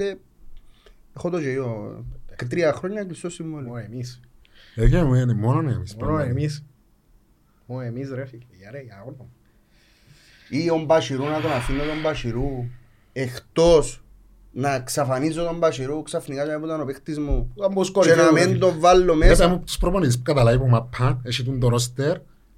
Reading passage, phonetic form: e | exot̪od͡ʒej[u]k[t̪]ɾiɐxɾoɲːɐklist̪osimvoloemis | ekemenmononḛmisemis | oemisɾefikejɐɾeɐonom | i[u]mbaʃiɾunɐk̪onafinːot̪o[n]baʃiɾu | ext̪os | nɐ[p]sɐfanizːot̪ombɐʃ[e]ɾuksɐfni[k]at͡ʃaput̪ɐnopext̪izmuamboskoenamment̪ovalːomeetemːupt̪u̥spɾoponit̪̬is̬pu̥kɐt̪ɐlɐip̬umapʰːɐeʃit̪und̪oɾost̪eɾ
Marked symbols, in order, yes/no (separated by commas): no, yes, no, no, no, no, yes